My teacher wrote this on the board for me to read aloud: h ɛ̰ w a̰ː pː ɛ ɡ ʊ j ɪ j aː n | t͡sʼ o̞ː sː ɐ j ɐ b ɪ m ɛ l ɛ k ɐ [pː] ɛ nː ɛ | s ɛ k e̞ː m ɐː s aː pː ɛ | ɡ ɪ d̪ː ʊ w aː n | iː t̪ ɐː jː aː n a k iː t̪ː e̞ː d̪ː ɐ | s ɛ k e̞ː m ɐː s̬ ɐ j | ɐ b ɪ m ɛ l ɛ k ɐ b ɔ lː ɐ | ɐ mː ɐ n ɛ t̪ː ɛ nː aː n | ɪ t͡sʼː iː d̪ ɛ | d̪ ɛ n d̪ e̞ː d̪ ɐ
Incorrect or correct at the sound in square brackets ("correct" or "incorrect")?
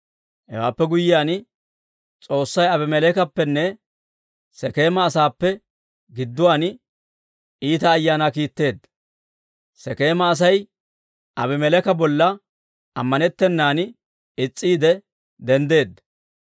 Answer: correct